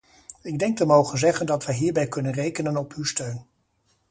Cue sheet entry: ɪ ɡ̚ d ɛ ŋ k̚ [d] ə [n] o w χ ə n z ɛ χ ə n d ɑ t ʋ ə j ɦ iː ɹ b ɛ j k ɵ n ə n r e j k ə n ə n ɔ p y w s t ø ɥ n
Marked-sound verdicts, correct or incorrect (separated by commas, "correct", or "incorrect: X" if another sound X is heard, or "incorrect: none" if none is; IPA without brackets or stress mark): incorrect: t, incorrect: m